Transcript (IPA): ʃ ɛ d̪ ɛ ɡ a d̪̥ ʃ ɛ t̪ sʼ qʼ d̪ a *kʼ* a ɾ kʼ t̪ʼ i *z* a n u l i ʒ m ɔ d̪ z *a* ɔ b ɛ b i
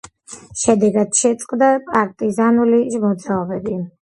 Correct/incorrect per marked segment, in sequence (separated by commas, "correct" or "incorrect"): incorrect, correct, correct